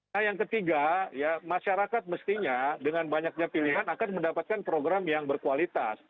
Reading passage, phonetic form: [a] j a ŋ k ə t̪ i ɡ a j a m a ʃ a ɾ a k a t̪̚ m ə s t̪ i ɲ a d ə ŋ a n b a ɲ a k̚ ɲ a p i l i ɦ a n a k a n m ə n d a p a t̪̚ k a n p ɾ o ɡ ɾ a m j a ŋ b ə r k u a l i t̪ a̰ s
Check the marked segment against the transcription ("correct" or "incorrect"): correct